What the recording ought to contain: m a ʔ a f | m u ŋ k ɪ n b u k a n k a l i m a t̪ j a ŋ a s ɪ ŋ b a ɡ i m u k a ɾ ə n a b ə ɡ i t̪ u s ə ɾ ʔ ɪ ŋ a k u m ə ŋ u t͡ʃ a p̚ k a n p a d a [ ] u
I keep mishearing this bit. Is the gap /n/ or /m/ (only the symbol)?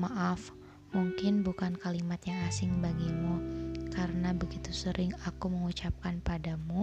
m